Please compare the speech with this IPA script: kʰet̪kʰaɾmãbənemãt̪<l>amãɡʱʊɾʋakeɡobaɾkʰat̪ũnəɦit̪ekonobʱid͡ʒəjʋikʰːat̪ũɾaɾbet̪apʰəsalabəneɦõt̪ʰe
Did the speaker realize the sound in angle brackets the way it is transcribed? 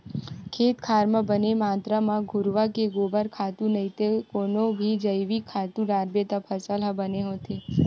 no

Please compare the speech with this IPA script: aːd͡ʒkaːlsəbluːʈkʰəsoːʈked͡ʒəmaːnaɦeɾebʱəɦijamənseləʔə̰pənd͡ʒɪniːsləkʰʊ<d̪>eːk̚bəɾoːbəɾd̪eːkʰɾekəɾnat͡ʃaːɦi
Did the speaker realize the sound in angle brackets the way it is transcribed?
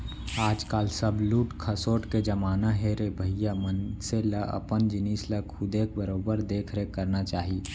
yes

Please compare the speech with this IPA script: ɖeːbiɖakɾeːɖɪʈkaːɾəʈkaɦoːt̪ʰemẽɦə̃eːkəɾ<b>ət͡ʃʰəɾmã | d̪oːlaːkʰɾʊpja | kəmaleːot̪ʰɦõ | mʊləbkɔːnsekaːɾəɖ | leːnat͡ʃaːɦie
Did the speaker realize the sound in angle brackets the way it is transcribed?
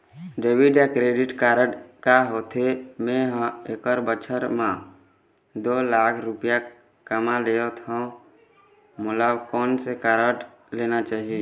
yes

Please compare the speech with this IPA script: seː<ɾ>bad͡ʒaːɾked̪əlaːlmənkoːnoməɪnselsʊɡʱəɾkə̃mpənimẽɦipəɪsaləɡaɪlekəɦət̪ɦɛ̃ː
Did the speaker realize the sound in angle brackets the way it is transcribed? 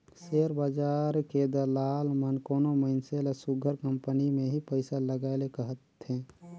yes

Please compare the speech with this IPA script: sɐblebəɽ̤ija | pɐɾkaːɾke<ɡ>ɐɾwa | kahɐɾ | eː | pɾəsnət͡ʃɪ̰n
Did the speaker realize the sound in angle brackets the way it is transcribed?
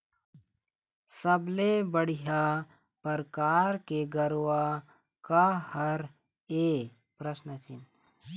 yes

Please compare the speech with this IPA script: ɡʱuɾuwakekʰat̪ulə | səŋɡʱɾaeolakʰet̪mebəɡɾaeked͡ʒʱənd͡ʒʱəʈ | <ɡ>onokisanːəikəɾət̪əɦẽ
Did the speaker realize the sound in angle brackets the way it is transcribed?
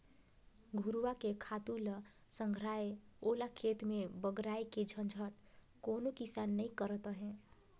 no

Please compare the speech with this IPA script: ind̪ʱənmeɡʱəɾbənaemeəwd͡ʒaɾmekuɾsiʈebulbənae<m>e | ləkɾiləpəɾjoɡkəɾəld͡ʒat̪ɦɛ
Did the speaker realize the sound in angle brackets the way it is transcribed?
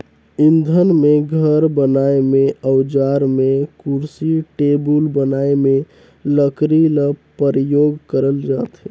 yes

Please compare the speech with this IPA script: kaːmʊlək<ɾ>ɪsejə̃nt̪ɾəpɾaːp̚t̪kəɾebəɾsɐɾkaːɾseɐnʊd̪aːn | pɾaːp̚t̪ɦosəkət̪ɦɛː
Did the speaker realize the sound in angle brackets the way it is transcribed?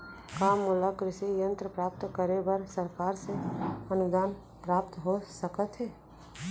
yes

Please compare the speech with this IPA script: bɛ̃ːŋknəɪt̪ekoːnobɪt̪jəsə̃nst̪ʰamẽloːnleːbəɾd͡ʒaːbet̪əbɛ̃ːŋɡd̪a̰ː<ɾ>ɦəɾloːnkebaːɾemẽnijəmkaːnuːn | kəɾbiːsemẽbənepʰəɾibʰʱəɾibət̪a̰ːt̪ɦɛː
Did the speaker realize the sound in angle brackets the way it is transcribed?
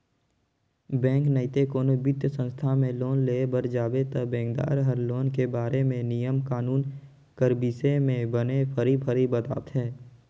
yes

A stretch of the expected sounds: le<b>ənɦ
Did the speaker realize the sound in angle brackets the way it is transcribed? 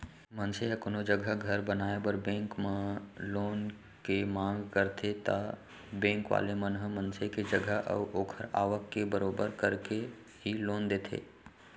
no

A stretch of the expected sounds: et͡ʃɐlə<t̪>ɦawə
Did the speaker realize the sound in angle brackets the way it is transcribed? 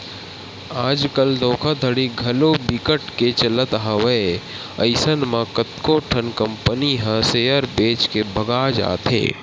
yes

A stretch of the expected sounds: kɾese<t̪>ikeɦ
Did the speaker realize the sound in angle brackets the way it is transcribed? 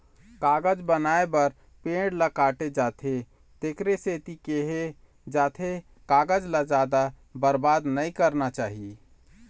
yes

